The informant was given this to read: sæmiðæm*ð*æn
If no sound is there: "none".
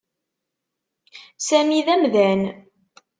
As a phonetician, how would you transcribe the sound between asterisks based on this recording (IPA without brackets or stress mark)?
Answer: ð